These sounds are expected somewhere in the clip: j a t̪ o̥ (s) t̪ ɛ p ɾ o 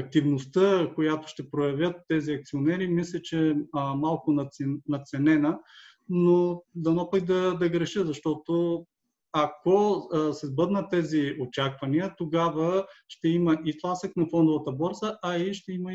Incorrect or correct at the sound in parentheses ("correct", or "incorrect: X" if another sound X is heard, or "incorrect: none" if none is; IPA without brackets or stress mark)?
incorrect: ʃ